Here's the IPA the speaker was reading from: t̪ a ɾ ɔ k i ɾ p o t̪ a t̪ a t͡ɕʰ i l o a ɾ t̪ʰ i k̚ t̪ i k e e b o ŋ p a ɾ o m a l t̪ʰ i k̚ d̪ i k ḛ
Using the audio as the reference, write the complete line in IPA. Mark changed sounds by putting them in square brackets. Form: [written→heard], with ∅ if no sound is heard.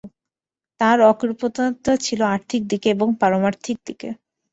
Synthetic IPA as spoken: t̪ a ɾ ɔ k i ɾ p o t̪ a t̪ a t͡ɕʰ i l o a ɾ t̪ʰ i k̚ [t̪→d̪] i k e e b o ŋ p a ɾ o m a [l→ɾ] t̪ʰ i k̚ d̪ i k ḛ